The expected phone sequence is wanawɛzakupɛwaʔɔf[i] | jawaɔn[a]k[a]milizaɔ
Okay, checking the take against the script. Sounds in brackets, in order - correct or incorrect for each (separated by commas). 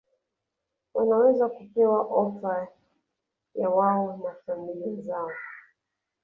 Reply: incorrect, correct, correct